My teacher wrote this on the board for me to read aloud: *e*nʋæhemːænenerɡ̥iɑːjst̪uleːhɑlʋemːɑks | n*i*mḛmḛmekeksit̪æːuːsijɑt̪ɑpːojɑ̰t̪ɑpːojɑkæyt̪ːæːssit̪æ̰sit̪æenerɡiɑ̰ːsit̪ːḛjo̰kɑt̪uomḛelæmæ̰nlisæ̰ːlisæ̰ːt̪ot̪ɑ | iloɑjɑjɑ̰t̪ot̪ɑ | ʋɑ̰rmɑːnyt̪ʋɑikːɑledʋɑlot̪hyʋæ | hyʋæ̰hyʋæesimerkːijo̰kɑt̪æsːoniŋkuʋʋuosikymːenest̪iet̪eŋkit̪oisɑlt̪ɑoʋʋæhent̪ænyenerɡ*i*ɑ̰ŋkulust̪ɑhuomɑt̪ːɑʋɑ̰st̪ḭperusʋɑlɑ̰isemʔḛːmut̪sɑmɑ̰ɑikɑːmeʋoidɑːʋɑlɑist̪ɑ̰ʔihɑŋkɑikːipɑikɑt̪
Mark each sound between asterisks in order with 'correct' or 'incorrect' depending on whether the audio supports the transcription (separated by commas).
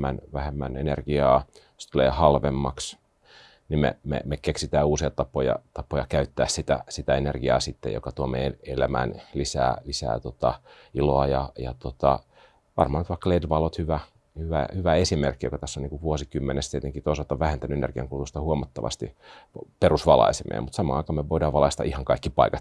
incorrect, correct, correct